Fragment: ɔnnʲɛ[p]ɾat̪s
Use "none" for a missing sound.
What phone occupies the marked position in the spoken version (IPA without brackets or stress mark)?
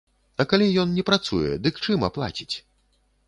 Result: p